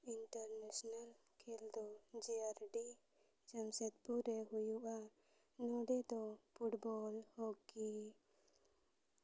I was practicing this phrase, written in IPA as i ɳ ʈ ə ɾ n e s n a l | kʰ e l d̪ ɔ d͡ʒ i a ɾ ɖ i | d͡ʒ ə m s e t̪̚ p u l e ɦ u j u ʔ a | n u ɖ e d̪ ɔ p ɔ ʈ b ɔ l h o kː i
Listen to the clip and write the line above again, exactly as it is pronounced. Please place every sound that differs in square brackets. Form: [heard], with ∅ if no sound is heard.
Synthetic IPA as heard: i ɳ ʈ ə ɾ n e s n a l | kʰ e l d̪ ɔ d͡ʒ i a ɾ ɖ i | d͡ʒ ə m s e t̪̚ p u [ɾ] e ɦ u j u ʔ a | n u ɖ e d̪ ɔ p [u] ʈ b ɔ l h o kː i